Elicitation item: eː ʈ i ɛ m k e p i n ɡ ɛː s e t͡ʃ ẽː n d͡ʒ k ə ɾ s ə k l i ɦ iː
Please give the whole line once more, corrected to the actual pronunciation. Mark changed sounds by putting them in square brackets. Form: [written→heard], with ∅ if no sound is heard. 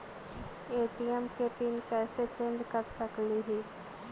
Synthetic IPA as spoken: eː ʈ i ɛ m k e p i n [ɡ→k] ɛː s e t͡ʃ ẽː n d͡ʒ k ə ɾ s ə k l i ɦ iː

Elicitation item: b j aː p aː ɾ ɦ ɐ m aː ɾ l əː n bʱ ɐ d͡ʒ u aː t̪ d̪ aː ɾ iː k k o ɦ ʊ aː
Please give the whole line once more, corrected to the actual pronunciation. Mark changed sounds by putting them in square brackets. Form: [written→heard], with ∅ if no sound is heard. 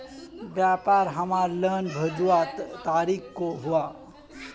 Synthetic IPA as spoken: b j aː p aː ɾ ɦ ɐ m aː ɾ l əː n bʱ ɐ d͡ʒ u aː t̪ [d̪→t̪] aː ɾ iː k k o ɦ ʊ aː

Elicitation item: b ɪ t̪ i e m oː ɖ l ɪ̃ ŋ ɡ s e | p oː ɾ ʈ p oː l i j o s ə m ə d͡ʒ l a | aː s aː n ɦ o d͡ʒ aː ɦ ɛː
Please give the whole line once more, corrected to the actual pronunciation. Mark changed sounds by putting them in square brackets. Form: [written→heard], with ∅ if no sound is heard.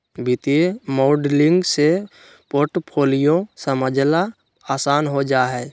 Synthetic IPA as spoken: b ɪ t̪ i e m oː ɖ l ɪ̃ ŋ ɡ s e | p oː ɾ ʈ [p→pʰ] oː l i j o s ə m ə d͡ʒ l a | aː s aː n ɦ o d͡ʒ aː ɦ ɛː

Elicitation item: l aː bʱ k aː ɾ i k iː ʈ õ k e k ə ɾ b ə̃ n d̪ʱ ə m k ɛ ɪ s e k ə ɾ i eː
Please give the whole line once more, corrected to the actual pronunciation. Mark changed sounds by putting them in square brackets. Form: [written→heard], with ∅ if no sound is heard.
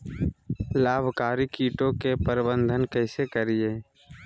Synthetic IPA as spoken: l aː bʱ k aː ɾ i k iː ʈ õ k e [k→p] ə ɾ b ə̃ n d̪ʱ ə [m→n] k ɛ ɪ s e k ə ɾ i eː

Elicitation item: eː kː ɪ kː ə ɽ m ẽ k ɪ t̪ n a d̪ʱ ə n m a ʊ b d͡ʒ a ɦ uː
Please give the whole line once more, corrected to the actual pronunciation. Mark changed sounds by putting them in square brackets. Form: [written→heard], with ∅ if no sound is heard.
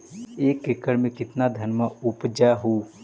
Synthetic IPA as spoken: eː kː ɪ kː ə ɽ m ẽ k ɪ t̪ n a d̪ʱ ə n m a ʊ [b→p] d͡ʒ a ɦ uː

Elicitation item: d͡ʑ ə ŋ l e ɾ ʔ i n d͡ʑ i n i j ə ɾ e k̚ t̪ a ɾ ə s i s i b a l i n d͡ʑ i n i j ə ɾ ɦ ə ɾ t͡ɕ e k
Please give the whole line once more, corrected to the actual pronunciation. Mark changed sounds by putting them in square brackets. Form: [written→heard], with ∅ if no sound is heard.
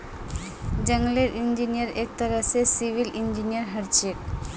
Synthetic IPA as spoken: d͡ʑ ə ŋ l e ɾ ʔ i n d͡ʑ i n i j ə ɾ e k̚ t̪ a ɾ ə s [i→e] s i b [a→i] l i n d͡ʑ i n i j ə ɾ ɦ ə ɾ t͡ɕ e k

